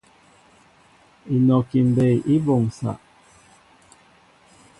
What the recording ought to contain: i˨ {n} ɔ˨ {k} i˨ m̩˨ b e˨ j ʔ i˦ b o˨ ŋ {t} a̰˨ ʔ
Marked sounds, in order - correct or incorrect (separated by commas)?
correct, correct, incorrect